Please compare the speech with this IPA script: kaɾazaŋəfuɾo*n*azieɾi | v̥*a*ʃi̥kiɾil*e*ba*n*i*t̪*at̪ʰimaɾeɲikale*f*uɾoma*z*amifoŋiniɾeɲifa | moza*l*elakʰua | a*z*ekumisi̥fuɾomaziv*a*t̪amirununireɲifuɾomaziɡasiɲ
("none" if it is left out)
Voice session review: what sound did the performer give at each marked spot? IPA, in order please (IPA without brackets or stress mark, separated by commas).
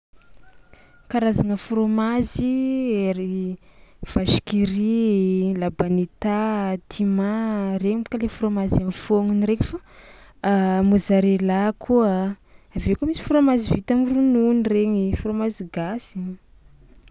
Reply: m, a, a, n, t̪, f, z, ɾ, v, i